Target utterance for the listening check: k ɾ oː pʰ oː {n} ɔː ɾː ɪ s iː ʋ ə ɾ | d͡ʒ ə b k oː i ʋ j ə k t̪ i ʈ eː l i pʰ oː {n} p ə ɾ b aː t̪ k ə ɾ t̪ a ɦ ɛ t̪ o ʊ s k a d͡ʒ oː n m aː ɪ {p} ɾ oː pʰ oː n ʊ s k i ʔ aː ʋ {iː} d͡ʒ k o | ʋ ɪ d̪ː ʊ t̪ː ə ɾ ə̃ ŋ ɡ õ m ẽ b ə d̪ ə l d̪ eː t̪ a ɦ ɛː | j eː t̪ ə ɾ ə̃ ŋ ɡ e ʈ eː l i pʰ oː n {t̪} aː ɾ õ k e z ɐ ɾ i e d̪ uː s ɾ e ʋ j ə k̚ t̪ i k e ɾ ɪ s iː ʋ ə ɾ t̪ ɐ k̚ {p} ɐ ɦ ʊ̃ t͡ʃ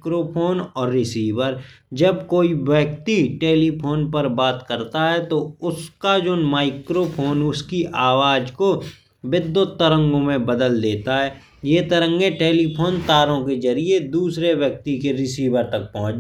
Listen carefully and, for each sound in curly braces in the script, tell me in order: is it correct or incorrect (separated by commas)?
correct, correct, incorrect, incorrect, correct, correct